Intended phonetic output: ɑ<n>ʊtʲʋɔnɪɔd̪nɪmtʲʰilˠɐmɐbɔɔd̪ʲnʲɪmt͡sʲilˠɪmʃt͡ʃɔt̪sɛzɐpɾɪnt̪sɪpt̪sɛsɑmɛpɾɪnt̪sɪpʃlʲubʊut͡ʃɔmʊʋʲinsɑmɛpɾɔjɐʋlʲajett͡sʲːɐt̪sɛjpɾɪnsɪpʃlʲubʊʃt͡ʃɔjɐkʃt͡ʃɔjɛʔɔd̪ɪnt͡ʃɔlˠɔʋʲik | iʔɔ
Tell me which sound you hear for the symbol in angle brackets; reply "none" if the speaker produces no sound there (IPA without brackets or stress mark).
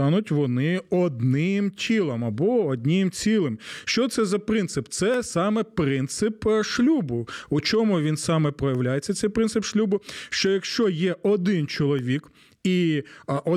n